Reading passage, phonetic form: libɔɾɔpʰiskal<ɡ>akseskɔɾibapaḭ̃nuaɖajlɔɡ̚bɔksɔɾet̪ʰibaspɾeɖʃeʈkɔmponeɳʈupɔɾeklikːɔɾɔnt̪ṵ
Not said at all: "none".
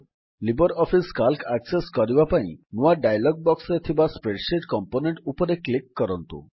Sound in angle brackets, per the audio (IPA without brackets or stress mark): k